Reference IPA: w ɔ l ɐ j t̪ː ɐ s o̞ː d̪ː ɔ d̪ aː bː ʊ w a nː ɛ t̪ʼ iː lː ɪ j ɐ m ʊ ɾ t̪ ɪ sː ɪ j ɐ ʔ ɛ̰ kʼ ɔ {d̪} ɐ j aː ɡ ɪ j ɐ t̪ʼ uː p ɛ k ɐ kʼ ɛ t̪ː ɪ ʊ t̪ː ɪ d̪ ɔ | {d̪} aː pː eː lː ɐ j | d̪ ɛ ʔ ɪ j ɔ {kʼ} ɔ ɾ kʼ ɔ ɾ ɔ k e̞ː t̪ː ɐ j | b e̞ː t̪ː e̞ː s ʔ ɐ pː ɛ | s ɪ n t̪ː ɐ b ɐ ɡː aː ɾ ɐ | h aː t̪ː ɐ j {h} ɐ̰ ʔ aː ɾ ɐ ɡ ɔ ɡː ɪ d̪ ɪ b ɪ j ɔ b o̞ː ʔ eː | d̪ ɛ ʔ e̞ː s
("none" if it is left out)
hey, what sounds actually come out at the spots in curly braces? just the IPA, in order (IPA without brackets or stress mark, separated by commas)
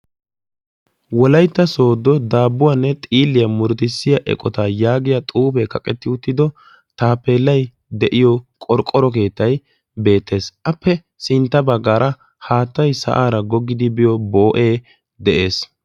t̪, t̪, kʼ, s